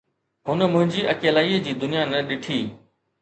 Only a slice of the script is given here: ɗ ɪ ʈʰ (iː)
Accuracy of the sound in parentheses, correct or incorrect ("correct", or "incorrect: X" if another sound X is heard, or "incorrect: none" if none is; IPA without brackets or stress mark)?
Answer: correct